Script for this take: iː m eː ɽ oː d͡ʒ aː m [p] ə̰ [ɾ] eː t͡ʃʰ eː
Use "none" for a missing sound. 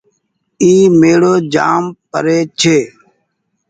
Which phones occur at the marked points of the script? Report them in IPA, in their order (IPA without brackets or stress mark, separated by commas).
p, ɾ